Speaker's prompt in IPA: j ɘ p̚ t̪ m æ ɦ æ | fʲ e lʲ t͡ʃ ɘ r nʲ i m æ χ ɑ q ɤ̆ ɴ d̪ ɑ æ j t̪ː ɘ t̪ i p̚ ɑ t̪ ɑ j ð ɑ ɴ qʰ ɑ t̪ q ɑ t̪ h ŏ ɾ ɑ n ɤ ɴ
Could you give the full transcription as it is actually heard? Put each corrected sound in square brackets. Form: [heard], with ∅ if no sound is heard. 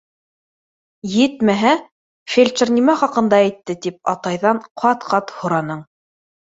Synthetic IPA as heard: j ɘ [∅] t̪ m æ ɦ æ | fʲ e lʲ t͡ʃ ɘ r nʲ i m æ χ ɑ q ɤ̆ [n] d̪ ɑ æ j t̪ː ɘ t̪ i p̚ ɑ t̪ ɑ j ð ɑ ɴ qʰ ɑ t̪ q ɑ t̪ h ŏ ɾ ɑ n ɤ ɴ